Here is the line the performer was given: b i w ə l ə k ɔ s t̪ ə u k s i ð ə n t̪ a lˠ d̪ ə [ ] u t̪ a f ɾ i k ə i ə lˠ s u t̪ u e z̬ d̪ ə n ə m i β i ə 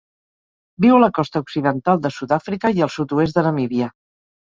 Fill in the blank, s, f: s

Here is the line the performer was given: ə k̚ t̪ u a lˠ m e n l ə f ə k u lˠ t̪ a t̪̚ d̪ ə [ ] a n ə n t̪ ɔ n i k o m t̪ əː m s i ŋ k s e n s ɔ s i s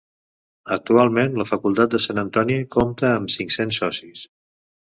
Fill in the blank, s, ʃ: s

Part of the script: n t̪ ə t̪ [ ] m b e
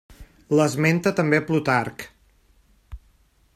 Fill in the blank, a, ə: ə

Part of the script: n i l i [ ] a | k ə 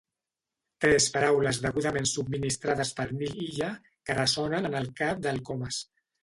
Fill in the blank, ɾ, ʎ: ʎ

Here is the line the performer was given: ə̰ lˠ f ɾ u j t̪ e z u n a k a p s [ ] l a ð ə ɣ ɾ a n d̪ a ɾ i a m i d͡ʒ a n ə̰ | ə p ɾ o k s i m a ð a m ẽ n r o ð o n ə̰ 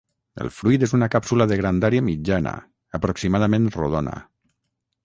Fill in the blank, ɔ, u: u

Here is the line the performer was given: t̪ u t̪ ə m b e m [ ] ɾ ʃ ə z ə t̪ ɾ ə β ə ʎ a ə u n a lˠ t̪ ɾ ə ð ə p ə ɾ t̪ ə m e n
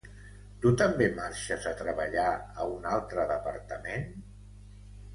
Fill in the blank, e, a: a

